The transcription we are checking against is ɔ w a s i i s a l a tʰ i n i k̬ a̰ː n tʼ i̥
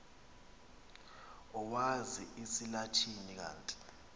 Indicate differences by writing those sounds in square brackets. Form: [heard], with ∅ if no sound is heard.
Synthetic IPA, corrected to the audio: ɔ w a [z] i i s [i] l a tʰ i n i k̬ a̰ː n tʼ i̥